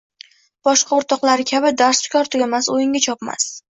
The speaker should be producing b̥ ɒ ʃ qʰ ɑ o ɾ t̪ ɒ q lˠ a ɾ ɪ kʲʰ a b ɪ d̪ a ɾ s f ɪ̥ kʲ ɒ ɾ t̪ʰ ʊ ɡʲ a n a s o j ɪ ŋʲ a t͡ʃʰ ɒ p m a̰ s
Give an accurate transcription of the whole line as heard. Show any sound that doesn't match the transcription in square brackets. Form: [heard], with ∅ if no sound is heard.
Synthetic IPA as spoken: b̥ ɒ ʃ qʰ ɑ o ɾ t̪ ɒ q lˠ a ɾ ɪ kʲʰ a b ɪ d̪ a ɾ s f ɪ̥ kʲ ɒ ɾ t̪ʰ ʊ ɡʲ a [m] a s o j ɪ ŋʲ a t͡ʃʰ ɒ p m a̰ s